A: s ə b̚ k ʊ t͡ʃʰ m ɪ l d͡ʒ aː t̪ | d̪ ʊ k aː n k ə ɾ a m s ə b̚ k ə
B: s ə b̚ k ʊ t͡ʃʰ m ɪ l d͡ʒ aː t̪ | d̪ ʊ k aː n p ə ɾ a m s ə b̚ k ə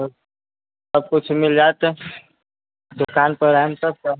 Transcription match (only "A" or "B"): B